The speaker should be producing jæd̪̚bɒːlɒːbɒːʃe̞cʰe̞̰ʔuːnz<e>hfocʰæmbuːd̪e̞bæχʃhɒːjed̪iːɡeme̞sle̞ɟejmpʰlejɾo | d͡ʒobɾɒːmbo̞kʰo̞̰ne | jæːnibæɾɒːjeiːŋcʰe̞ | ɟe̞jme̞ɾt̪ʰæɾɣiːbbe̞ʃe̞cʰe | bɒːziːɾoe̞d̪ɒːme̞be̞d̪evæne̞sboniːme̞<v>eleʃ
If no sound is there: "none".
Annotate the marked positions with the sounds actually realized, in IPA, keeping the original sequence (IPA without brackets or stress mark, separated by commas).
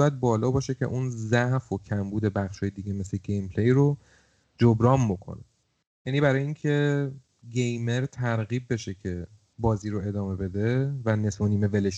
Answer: æ, v